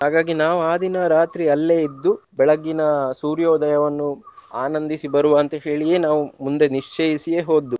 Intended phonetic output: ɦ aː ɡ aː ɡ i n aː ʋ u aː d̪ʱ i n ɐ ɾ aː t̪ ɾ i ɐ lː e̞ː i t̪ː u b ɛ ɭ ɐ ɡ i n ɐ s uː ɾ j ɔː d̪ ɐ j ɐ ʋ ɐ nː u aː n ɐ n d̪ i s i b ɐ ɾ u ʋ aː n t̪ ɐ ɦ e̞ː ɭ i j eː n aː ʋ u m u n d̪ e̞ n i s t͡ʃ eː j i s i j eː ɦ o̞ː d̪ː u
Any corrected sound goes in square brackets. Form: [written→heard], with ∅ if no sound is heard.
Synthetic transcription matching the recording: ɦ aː ɡ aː ɡ i n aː ʋ u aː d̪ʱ i n ɐ ɾ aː t̪ ɾ i ɐ lː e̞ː i [t̪ː→d̪ː] u b ɛ ɭ ɐ ɡ i n ɐ s uː ɾ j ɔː d̪ ɐ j ɐ ʋ ɐ nː u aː n ɐ n d̪ i s i b ɐ ɾ u ʋ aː n t̪ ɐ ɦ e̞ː ɭ i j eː n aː ʋ u m u n d̪ e̞ n i [s→ʂ] t͡ʃ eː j i s i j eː ɦ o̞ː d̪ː u